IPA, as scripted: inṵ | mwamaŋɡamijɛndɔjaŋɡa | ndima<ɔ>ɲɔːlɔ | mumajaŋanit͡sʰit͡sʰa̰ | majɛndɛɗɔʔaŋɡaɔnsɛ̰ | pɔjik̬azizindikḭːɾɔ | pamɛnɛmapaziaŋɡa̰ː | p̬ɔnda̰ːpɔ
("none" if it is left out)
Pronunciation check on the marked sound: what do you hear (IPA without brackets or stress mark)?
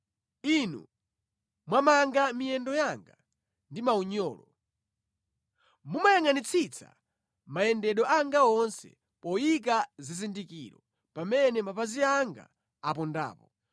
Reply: u